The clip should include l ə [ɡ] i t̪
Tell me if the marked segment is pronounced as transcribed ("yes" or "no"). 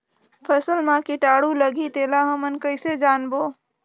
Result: yes